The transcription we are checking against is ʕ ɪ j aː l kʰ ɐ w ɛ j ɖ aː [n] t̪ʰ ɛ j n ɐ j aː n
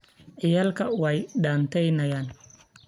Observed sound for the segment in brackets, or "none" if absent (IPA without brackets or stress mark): n